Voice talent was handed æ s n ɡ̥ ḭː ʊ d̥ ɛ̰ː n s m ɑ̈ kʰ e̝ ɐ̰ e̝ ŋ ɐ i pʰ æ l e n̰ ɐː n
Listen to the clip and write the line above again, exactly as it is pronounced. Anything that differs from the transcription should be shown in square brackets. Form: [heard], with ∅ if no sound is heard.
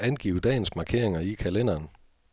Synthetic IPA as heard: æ [∅] n ɡ̥ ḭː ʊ d̥ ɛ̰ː n s m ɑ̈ kʰ e̝ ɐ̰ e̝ ŋ ɐ i [kʰ] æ l e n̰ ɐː n

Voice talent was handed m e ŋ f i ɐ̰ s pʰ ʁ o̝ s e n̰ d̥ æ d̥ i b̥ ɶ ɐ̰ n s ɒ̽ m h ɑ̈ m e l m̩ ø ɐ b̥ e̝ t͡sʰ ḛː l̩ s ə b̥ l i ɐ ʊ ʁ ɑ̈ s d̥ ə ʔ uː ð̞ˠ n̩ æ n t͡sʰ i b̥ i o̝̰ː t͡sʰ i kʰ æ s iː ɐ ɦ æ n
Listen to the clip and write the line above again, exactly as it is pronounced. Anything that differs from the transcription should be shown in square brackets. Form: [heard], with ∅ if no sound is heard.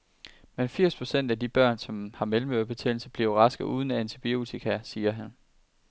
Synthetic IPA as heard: m e [n] f i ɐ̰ s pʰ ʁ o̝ s e n̰ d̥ æ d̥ i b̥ ɶ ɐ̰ n s ɒ̽ m h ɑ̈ m e l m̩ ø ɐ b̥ e̝ t͡sʰ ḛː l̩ s ə b̥ l i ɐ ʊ ʁ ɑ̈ s [ɡ̥] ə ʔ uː ð̞ˠ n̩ æ n t͡sʰ i b̥ i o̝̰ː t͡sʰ i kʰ æ s iː ɐ ɦ æ n

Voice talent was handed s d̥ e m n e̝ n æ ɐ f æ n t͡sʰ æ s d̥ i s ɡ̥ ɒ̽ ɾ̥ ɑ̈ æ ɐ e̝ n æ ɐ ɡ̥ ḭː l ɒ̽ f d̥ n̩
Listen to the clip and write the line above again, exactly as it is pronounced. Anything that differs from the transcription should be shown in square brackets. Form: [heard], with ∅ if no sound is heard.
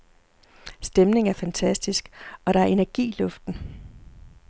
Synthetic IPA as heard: s d̥ e m n e̝ [ŋ] æ ɐ f æ n t͡sʰ æ s d̥ i s ɡ̥ ɒ̽ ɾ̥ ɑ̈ æ ɐ e̝ n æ ɐ ɡ̥ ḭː l [ɔ̽] f d̥ n̩

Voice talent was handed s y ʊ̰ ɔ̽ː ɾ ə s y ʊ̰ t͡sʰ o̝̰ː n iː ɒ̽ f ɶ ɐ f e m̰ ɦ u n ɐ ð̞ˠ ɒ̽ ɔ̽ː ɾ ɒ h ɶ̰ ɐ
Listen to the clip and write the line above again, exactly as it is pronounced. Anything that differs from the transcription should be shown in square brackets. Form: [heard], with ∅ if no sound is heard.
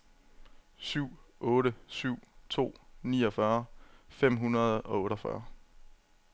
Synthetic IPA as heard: s y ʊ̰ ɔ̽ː ɾ ə s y ʊ̰ t͡sʰ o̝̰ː n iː ɒ̽ f ɶ ɐ f e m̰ ɦ u n ɐ ð̞ˠ ɒ̽ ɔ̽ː ɾ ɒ [f] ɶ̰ ɐ

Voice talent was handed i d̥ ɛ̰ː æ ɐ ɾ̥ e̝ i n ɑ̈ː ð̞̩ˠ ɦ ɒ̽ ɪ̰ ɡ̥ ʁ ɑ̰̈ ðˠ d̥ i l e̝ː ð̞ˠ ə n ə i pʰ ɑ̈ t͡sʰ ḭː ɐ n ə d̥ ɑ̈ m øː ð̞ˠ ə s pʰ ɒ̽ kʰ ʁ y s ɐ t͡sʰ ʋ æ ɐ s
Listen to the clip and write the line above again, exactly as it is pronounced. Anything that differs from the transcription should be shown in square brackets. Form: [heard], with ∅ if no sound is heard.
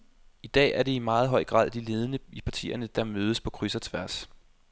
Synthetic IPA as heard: i d̥ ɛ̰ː æ ɐ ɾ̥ e̝ i [m] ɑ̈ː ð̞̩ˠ ɦ ɒ̽ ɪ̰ ɡ̥ ʁ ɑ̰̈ ðˠ d̥ i l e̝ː ð̞ˠ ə n ə i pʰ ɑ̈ t͡sʰ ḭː ɐ n ə d̥ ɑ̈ m øː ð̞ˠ ə s pʰ ɒ̽ kʰ ʁ y s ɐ t͡sʰ ʋ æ ɐ s

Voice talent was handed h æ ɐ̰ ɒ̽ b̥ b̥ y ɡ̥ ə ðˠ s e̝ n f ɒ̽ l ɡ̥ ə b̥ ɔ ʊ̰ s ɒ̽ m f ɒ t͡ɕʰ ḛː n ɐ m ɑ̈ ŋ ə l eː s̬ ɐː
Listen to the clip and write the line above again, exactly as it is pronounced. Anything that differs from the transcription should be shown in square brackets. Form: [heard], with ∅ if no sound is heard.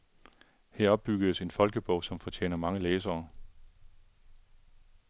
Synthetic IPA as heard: h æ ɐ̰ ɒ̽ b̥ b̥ y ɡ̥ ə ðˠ s e̝ n f ɒ̽ l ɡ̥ ə b̥ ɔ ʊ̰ s ɒ̽ m f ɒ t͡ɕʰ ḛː n ɐ m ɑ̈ ŋ ə l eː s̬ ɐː

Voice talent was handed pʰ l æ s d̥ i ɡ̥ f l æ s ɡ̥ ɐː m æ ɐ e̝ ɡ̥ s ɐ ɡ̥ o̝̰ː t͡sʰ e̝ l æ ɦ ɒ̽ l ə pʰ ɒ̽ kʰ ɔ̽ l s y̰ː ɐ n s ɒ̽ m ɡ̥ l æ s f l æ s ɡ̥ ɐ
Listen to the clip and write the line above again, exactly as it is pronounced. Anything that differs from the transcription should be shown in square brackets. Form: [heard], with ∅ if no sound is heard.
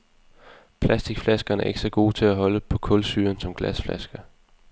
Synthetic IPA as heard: pʰ l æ s d̥ i ɡ̥ f l æ s ɡ̥ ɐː [n] æ ɐ e̝ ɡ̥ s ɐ ɡ̥ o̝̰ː t͡sʰ e̝ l æ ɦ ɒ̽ l ə pʰ ɒ̽ kʰ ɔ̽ l s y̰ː ɐ n s ɒ̽ m ɡ̥ l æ s f l æ s ɡ̥ ɐ

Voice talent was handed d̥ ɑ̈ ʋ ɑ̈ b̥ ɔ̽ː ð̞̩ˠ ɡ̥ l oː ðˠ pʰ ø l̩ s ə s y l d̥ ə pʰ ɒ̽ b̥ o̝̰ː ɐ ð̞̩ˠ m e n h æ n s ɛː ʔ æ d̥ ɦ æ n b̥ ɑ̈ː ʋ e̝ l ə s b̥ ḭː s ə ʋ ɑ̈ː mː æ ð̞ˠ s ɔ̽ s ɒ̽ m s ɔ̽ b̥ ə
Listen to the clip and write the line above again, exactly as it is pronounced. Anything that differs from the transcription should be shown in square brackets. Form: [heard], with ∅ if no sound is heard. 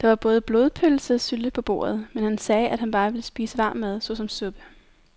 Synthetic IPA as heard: d̥ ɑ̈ ʋ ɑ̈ b̥ ɔ̽ː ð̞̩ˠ [b̥] l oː ðˠ pʰ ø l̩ s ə s y l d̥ ə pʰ ɒ̽ b̥ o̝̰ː ɐ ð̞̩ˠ m e n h æ n s ɛː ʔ æ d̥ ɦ æ n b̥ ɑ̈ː ʋ e̝ l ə s b̥ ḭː s ə ʋ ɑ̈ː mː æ ð̞ˠ s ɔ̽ s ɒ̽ m s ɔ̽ b̥ ə

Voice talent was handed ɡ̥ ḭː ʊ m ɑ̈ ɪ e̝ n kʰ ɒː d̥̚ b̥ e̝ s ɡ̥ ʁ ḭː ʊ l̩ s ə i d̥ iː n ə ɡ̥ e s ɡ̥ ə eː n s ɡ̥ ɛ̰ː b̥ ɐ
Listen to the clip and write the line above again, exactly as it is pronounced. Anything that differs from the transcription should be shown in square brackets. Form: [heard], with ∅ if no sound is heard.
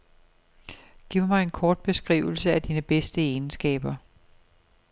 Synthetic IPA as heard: ɡ̥ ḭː ʊ m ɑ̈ ɪ e̝ n kʰ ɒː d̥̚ b̥ e̝ s ɡ̥ ʁ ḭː ʊ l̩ s ə [æ] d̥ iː n ə [b̥] e s [d̥] ə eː n s ɡ̥ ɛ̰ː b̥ ɐ

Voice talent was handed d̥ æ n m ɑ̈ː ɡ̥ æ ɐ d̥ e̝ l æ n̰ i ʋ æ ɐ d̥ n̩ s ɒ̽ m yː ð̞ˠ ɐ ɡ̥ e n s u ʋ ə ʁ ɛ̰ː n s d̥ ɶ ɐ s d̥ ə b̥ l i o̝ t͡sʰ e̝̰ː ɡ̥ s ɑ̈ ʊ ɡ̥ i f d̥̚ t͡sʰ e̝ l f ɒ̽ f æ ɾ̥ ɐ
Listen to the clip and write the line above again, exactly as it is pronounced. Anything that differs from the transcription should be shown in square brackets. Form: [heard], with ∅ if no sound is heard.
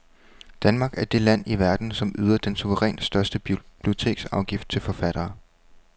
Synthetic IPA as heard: d̥ æ n m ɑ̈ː ɡ̥ æ ɐ d̥ e̝ l æ n̰ i ʋ æ ɐ d̥ n̩ s ɒ̽ m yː ð̞ˠ ɐ [d̥] e n s u ʋ ə ʁ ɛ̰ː n s d̥ ɶ ɐ s d̥ ə b̥ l i o̝ t͡sʰ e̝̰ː ɡ̥ s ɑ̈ ʊ ɡ̥ i f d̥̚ t͡sʰ e̝ l f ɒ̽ f æ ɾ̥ [ɐː]

